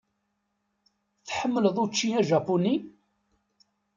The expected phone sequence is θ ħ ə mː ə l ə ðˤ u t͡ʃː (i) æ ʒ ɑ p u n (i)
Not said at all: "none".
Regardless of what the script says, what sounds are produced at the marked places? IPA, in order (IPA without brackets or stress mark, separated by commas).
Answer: i, i